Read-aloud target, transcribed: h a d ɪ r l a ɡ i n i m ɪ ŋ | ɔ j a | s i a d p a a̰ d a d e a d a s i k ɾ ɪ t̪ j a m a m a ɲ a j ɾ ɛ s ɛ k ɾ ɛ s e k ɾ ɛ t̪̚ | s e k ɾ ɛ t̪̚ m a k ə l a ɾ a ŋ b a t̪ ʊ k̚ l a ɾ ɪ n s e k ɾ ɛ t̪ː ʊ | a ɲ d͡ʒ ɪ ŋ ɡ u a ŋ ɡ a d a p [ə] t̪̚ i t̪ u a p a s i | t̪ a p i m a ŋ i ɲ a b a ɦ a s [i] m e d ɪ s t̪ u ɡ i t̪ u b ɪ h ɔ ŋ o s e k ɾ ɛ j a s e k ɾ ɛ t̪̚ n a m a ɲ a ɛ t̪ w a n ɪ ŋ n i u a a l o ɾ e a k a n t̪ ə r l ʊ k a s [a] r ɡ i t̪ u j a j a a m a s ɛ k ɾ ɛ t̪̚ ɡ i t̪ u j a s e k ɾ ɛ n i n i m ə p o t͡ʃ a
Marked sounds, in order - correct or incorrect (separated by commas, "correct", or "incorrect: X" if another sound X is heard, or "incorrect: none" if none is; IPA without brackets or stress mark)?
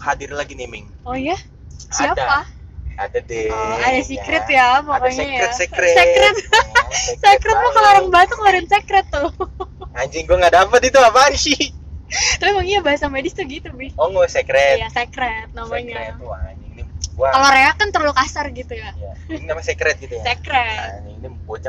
correct, incorrect: a, correct